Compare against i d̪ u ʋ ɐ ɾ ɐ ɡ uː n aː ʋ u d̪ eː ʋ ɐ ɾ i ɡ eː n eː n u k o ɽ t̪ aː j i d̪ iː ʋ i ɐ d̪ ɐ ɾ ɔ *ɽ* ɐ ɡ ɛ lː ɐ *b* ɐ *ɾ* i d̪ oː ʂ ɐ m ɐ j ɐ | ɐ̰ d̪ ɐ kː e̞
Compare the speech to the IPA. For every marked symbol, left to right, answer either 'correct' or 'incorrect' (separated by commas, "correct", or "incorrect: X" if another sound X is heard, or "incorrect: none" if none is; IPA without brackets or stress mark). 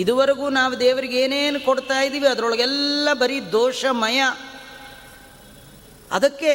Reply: incorrect: ɭ, correct, correct